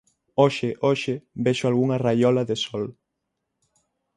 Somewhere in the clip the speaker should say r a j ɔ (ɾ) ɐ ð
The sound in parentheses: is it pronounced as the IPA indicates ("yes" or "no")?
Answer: no